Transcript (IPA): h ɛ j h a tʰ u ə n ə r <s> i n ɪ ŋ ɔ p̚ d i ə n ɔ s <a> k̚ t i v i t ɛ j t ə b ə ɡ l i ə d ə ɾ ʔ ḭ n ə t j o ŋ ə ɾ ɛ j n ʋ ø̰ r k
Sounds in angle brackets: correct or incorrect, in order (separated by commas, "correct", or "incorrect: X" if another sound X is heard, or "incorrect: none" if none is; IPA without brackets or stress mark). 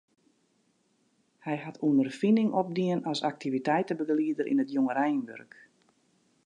incorrect: f, correct